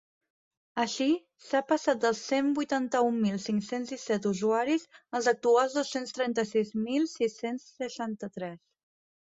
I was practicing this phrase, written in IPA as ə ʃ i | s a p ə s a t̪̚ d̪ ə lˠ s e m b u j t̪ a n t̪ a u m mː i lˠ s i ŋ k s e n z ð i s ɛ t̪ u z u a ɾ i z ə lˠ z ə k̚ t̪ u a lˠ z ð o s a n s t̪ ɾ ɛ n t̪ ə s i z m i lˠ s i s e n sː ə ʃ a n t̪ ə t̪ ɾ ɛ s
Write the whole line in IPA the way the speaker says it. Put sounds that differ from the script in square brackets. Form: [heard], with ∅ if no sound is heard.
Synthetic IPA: ə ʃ i | s a p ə s a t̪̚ d̪ ə lˠ s e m b u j t̪ a n t̪ [ə] u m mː i lˠ s i ŋ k s e n z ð i s ɛ t̪ u z u a ɾ i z ə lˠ z ə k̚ t̪ u a lˠ z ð o s [e] n s t̪ ɾ ɛ n t̪ ə s i z m i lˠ s i s e n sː ə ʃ a n t̪ ə t̪ ɾ ɛ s